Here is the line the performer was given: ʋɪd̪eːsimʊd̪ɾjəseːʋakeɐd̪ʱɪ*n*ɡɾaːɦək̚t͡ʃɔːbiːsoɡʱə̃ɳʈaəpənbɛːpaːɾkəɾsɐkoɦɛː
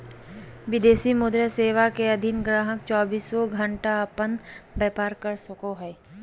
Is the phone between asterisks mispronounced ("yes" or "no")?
no